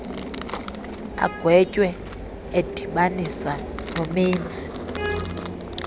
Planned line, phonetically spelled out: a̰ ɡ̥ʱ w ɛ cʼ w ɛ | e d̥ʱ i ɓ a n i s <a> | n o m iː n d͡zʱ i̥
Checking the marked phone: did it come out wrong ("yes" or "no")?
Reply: no